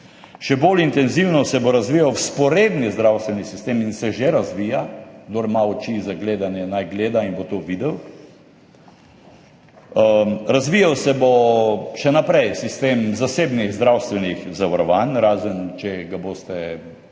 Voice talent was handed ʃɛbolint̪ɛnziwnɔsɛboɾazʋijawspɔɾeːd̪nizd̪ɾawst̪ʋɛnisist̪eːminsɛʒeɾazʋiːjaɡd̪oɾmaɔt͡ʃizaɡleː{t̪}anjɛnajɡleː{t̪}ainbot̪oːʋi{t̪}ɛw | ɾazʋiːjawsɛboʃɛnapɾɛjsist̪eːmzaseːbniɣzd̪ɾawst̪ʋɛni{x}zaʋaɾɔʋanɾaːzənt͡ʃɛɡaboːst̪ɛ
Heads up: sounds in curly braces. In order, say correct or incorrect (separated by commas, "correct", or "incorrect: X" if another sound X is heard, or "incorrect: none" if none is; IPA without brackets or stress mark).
incorrect: d̪, incorrect: d̪, incorrect: d̪, correct